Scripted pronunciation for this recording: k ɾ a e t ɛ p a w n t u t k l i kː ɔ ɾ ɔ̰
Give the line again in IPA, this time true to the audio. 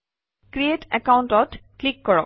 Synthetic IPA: k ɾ i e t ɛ k a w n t ɔ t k l i kː ɔ ɹ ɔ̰